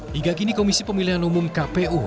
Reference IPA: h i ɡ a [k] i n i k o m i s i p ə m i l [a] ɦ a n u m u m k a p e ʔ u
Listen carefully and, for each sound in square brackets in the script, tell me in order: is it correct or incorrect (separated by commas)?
correct, incorrect